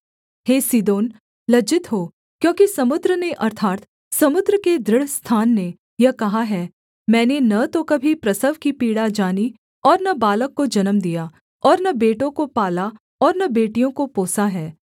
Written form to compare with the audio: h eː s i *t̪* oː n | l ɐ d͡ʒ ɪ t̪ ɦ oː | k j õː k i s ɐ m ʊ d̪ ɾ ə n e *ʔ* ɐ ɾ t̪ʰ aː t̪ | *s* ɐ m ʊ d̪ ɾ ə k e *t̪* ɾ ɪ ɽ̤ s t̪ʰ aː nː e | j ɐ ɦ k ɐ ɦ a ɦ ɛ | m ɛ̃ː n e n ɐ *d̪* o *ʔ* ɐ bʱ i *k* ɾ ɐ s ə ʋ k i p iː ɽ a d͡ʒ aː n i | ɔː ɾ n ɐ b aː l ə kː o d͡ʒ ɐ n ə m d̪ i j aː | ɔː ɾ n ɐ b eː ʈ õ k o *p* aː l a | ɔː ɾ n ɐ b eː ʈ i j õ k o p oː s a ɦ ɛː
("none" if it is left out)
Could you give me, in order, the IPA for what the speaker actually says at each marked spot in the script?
d̪, ʔ, s, d̪, t̪, k, p, p

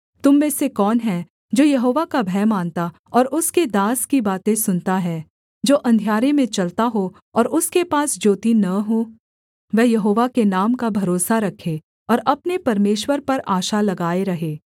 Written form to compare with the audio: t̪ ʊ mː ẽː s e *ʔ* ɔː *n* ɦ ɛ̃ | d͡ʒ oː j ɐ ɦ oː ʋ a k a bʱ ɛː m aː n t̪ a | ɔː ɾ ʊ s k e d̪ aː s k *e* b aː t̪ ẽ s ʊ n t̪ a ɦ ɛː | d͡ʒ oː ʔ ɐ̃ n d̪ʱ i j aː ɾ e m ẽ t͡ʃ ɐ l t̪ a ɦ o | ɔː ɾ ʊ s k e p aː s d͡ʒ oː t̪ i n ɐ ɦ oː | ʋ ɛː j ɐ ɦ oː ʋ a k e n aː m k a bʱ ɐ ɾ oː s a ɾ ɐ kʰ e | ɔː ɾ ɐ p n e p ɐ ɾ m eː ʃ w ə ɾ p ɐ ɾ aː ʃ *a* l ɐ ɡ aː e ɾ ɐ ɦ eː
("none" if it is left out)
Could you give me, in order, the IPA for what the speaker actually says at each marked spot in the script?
k, n, i, a

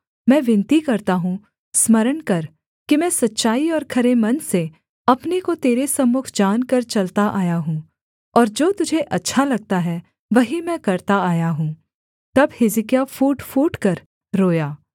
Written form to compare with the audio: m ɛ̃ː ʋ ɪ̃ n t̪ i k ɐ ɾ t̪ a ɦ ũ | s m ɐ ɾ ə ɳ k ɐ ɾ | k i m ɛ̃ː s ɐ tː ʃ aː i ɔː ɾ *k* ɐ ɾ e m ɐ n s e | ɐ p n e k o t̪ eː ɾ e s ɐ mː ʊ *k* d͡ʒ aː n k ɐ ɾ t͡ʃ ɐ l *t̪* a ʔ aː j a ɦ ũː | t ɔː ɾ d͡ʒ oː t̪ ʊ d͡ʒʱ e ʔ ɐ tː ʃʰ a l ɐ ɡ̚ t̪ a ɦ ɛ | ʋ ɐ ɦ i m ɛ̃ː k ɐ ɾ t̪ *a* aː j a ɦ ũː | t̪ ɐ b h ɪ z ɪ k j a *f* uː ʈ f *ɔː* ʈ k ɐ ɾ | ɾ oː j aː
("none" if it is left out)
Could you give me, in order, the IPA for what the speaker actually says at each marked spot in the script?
kʰ, kʰ, t̪, a, f, uː

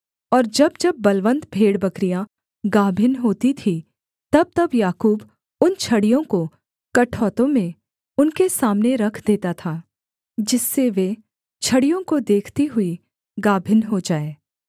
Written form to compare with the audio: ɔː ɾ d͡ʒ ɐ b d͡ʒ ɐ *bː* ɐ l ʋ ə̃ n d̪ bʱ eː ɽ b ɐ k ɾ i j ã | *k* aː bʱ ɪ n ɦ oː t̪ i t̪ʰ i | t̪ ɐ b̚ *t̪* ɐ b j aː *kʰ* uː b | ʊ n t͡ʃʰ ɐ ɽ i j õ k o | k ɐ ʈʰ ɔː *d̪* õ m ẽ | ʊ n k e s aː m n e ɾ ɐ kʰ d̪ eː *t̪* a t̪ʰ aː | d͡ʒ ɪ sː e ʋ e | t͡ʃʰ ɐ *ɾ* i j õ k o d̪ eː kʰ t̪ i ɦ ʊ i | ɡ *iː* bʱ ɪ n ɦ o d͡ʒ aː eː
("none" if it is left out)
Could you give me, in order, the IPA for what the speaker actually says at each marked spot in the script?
bː, ɡ, t̪, k, t̪, t̪, ɽ, aː

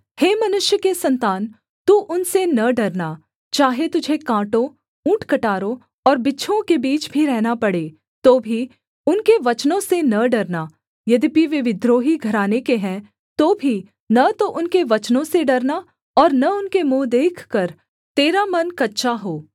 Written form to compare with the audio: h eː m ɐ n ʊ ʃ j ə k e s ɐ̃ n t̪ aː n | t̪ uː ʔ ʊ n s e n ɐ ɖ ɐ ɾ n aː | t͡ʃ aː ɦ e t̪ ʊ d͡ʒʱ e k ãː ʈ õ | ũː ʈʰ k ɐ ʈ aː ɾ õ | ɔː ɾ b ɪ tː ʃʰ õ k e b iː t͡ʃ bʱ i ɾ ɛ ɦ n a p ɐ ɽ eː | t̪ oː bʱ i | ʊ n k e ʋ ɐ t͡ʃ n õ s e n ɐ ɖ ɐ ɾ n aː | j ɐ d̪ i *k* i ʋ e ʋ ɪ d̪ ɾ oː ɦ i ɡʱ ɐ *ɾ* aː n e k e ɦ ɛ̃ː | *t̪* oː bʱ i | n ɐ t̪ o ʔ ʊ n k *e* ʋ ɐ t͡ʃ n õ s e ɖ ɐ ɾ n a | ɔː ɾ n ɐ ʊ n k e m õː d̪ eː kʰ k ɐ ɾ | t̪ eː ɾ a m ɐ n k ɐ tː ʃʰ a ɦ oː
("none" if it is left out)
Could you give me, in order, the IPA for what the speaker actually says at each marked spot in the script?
p, ɾ, t̪, e

